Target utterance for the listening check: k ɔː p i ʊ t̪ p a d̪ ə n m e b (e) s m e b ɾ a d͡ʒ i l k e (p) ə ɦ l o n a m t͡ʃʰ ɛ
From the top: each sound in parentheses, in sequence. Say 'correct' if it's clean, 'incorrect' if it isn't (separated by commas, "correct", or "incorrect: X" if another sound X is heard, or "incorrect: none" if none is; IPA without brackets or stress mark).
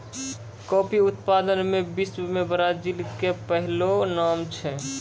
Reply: incorrect: i, correct